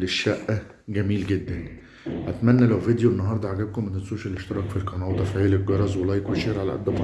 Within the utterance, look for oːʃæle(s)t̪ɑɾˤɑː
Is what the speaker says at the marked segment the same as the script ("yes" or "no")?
no